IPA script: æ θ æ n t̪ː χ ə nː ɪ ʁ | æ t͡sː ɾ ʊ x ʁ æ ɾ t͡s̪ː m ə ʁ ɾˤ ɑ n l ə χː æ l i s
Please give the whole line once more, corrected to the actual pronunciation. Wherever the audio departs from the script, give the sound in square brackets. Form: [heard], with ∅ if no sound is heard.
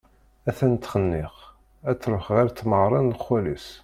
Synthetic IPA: æ θ æ n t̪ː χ ə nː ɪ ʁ | æ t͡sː ɾ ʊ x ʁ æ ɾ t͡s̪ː m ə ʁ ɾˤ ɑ n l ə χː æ l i s